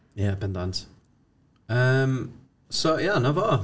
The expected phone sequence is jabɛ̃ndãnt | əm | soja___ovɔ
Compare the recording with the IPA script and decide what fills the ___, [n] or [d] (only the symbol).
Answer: n